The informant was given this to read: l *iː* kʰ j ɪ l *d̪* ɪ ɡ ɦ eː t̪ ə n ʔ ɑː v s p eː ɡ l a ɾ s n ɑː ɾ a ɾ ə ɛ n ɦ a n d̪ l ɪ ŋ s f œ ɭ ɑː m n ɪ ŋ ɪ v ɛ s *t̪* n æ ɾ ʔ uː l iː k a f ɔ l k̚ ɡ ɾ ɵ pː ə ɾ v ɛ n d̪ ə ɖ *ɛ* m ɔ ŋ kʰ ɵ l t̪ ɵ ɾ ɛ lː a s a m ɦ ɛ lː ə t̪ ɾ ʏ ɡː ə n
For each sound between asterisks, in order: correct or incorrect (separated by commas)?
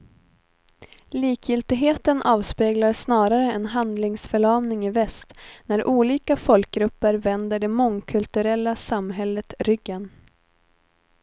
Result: correct, incorrect, correct, correct